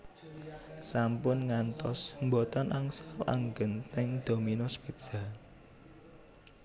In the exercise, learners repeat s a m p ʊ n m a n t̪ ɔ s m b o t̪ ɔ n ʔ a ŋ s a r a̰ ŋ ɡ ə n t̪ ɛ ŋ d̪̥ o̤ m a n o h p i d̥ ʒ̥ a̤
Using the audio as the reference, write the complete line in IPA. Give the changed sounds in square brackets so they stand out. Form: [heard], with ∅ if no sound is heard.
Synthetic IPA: s a m p ʊ n [ŋ] a n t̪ ɔ s m b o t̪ ɔ n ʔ a ŋ s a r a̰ ŋ ɡ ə n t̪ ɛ ŋ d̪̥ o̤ m [i] n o [s] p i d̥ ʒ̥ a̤